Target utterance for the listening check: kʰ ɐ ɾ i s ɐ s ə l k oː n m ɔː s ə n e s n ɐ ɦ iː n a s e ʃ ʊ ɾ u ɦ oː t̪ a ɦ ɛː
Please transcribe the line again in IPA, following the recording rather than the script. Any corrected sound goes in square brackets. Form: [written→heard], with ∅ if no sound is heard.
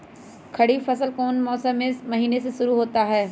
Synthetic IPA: kʰ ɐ [ɾ→ɽ] i [s→f] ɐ s ə l k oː n m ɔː s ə [n→m] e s [n→m] ɐ ɦ iː n [a→e] s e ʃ ʊ ɾ u ɦ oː t̪ a ɦ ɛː